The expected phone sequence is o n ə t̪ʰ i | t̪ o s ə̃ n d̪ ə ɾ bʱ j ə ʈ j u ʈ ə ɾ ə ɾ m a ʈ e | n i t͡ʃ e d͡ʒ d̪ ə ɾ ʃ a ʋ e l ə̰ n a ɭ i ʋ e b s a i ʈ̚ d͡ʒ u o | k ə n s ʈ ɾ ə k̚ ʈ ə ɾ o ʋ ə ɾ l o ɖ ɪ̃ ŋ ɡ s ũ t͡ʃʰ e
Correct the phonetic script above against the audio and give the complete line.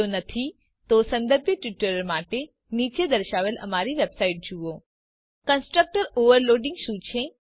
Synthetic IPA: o n ə t̪ʰ i | t̪ o s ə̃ n d̪ ə ɾ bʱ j ə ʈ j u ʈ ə ɾ ə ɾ m a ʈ e | n i t͡ʃ e d̪ ə ɾ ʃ a ʋ e l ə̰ m a ɾ i ʋ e b s a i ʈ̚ d͡ʒ u o | k ə n s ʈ ɾ ə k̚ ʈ ə ɾ o ʋ ə ɾ l o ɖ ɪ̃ ŋ ɡ ʃ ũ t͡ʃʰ e